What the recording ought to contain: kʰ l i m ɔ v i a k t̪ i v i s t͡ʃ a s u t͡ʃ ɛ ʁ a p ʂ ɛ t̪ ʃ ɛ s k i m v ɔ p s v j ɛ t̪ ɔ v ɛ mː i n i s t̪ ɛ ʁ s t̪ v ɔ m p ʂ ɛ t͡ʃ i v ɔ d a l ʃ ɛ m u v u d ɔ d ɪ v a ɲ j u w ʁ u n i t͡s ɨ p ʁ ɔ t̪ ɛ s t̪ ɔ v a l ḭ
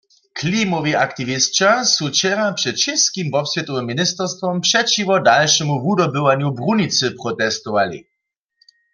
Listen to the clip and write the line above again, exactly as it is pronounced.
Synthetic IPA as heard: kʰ l i m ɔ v i a k t̪ i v i s t͡ʃ a s u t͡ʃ ɛ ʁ a p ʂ ɛ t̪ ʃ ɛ s k i m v ɔ p s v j ɛ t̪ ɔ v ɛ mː i n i s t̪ ɛ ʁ s t̪ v ɔ m p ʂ ɛ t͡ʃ i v ɔ d a l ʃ ɛ m u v u d ɔ b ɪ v a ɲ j u b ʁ u n i t͡s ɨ p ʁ ɔ t̪ ɛ s t̪ ɔ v a l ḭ